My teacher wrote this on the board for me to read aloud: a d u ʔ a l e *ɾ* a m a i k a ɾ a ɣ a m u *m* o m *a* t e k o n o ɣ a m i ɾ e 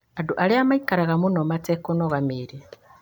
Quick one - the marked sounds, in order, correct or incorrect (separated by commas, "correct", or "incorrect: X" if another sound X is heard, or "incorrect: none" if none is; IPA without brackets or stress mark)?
incorrect: none, incorrect: n, correct